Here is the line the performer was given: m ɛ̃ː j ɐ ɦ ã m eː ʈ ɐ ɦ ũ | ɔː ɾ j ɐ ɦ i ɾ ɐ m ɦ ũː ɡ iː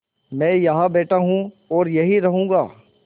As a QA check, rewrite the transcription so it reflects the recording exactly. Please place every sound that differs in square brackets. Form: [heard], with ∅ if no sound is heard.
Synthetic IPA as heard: m ɛ̃ː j ɐ ɦ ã [b] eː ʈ [a] ɦ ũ | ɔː ɾ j ɐ ɦ i ɾ ɐ [∅] ɦ ũː ɡ [aː]